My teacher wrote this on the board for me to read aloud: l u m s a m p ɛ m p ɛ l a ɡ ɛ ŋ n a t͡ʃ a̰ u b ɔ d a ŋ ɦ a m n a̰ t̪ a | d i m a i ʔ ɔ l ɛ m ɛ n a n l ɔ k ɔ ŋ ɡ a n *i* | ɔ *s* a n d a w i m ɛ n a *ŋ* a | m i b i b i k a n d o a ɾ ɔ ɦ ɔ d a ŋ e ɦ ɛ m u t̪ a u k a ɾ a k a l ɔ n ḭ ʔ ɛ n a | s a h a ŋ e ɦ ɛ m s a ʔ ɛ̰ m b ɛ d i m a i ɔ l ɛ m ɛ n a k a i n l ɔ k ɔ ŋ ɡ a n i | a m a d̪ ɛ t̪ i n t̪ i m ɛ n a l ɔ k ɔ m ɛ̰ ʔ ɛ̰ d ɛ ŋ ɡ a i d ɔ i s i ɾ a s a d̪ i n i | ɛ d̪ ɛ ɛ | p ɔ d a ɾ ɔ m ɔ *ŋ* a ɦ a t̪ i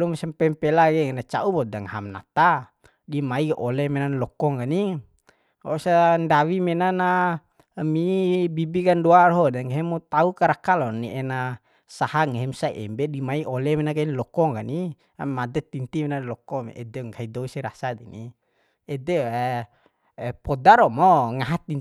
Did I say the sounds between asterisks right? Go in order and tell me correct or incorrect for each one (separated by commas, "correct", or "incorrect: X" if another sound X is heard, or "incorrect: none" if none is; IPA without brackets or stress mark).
correct, correct, incorrect: n, correct